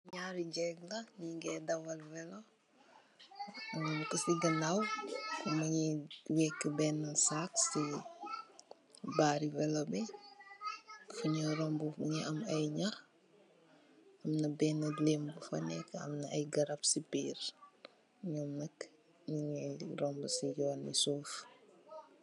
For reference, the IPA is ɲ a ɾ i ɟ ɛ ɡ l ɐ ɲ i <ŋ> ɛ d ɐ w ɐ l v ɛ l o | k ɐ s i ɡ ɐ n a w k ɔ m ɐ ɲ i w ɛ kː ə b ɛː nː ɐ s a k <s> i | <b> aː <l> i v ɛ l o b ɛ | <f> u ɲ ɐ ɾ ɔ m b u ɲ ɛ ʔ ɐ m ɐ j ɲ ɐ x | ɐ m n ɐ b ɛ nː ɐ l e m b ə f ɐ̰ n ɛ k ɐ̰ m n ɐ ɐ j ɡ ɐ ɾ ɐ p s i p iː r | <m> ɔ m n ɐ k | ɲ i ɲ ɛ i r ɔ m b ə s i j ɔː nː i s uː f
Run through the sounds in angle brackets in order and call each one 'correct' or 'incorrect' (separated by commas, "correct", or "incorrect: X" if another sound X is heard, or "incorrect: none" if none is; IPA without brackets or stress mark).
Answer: incorrect: ɡ, correct, correct, incorrect: ɾ, correct, incorrect: ɲ